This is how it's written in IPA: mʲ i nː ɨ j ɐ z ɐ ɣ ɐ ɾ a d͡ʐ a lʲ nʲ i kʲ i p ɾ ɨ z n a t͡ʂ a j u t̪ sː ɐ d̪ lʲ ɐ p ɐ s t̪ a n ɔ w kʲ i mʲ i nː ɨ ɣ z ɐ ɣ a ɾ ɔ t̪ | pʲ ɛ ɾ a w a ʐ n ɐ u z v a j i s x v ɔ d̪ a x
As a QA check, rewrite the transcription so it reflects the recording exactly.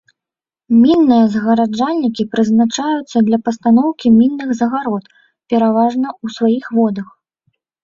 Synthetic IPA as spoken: mʲ i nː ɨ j ɐ z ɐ ɣ ɐ ɾ a d͡ʐ a lʲ nʲ i kʲ i p ɾ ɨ z n a t͡ʂ a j u t̪ sː ɐ d̪ lʲ ɐ p ɐ s t̪ a n ɔ w kʲ i mʲ i nː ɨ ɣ z ɐ ɣ a ɾ ɔ t̪ | pʲ ɛ ɾ a v a ʐ n ɐ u s v a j i x v ɔ d̪ ɐ x

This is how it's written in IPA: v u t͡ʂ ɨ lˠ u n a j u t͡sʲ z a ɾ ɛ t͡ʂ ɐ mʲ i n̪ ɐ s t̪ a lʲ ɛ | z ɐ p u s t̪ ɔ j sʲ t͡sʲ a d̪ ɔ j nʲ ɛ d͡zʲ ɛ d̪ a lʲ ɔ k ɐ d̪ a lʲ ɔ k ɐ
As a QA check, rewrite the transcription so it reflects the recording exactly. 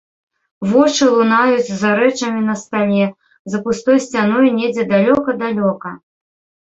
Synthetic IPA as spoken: v ɔ t͡ʂ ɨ lˠ u n a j u t͡sʲ z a ɾ ɛ t͡ʂ ɐ mʲ i n̪ ɐ s t̪ a lʲ ɛ | z ɐ p u s t̪ ɔ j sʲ t͡sʲ a n̪ ɔ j nʲ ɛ d͡zʲ ɛ d̪ a lʲ ɔ k ɐ d̪ a lʲ ɔ k ɐ

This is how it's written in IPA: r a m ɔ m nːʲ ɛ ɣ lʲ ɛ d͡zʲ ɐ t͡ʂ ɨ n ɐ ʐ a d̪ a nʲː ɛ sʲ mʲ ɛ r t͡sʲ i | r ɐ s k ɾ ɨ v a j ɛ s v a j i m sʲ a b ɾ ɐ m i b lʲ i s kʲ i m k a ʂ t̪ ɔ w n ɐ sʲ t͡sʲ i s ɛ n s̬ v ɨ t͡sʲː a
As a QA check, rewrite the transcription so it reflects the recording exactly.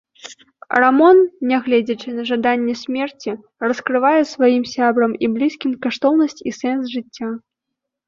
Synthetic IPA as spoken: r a m ɔ n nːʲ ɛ ɣ lʲ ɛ d͡zʲ ɐ t͡ʂ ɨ n ɐ ʐ a d̪ a nʲː ɛ sʲ mʲ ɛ r t͡sʲ i | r ɐ s k ɾ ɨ v a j ɛ s v a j i m sʲ a b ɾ ɐ m i b lʲ i s kʲ i m k a ʂ t̪ ɔ w n ɐ sʲ t͡sʲ i s ɛ n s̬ ʐ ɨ t͡sʲː a

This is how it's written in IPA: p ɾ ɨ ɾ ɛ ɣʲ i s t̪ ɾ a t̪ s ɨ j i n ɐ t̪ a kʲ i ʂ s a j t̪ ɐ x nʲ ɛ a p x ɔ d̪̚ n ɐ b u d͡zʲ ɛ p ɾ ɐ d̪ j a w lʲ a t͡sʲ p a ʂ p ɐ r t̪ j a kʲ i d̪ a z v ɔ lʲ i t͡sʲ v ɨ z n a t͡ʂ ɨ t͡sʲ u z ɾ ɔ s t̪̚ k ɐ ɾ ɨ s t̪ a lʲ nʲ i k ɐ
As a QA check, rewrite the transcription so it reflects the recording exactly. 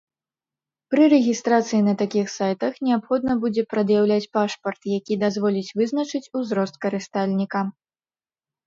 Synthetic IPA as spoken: p ɾ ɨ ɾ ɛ ɣʲ i s t̪ ɾ a t̪ s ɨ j i n ɐ t̪ a kʲ i x s a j t̪ ɐ x nʲ ɛ a p x ɔ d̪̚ n ɐ b u d͡zʲ ɛ p ɾ ɐ d̪ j a w lʲ a t͡sʲ p a ʂ p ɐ r t̪ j a kʲ i d̪ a z v ɔ lʲ i t͡sʲ v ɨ z n ɐ t͡ʂ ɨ t͡sʲ u z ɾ ɔ s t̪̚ k ɐ ɾ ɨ s t̪ a lʲ nʲ i k ɐ

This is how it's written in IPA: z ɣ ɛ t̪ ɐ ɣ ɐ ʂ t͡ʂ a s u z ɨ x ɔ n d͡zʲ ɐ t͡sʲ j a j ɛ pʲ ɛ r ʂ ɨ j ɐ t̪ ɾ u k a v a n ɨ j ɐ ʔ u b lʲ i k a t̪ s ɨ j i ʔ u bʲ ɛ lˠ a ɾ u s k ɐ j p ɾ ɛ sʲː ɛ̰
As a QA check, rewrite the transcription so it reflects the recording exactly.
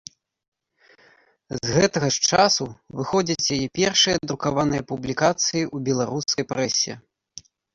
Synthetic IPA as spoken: z ɣ ɛ t̪ ɐ ɣ ɐ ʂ t͡ʂ a s u v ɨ x ɔ d͡zʲ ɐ t͡sʲ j a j ɛ pʲ ɛ r ʂ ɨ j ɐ d̪ ɾ u k a v a n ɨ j ɐ p u b lʲ i k a t̪ s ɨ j i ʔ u bʲ ɛ lˠ a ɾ u s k ɐ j p ɾ ɛ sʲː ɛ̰

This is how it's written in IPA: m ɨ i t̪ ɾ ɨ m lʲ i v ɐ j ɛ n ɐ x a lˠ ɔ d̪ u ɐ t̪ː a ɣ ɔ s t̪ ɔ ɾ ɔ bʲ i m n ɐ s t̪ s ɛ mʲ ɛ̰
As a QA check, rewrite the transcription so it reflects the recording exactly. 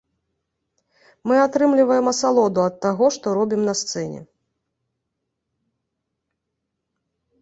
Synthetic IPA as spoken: m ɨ a t̪ ɾ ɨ m lʲ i v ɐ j ɛ m ɐ s a lˠ ɔ d̪ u ɐ t̪ː a ɣ ɔ ʂ t̪ ɔ ɾ ɔ bʲ i m n ɐ s t̪ s ɛ nʲ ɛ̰

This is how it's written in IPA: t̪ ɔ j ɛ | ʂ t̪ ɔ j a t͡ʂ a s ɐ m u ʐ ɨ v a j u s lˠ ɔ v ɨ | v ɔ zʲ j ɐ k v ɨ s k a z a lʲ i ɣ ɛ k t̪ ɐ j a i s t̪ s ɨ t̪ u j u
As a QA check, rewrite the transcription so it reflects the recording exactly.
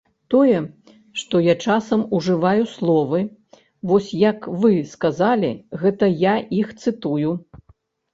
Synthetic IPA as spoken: t̪ ɔ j ɛ | ʂ t̪ ɔ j a t͡ʂ a s ɐ m u ʐ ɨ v a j u s lˠ ɔ v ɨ | v ɔ sʲ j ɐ k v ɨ s k a z a lʲ i ɣ ɛ t̪ ɐ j a i x t̪ s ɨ t̪ u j u

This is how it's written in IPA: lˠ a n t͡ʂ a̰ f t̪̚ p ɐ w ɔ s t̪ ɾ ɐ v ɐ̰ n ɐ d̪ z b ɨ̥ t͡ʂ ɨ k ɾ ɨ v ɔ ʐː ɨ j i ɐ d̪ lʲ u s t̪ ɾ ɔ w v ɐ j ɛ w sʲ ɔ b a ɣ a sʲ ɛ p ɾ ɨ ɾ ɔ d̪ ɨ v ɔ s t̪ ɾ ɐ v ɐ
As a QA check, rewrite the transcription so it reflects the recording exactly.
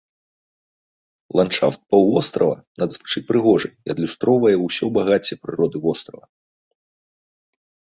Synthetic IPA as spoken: lˠ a n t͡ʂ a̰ f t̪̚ p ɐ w ɔ s t̪ ɾ ɐ v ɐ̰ n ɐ d̪ z v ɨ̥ t͡ʂ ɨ p ɾ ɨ ɣ ɔ ʐ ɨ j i ɐ d̪ lʲ u s t̪ ɾ ɔ w v ɐ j ɛ w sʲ ɔ b a ɣ a t͡sʲ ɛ p ɾ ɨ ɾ ɔ d̪ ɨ v ɔ s t̪ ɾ ɐ v ɐ

